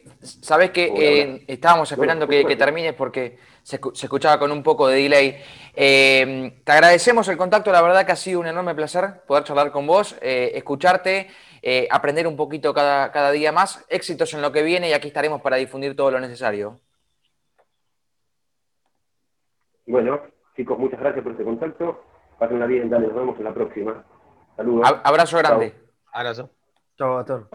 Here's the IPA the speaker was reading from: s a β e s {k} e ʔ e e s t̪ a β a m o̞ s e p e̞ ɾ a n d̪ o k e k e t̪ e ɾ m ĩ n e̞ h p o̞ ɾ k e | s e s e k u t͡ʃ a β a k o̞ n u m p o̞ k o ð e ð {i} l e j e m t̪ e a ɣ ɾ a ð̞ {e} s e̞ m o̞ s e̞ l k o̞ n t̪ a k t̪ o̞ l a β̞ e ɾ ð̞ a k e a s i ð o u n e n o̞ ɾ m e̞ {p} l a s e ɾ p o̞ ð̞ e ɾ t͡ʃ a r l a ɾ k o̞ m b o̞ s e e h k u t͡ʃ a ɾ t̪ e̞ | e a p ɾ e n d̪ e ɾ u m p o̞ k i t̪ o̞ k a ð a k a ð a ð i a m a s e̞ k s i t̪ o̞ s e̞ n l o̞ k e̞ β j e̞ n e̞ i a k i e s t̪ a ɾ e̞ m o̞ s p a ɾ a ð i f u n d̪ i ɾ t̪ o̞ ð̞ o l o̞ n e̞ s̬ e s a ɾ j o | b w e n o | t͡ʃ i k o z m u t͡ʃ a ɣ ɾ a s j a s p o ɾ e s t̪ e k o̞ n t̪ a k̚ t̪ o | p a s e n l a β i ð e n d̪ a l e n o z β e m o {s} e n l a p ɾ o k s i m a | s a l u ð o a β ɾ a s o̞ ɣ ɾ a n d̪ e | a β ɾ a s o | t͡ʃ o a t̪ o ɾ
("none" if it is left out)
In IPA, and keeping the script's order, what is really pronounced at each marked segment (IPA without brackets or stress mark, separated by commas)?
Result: k, i, e, p, s